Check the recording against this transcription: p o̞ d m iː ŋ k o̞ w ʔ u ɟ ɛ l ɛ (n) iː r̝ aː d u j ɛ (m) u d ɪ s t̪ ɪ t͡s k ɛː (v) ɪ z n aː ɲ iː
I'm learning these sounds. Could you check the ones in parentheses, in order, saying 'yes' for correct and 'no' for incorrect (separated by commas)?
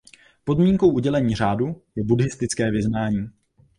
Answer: no, no, yes